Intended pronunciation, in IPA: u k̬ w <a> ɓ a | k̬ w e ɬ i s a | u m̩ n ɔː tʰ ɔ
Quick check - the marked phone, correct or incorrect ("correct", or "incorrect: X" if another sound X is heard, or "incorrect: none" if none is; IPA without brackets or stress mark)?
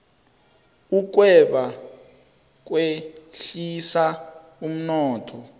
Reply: incorrect: ɛ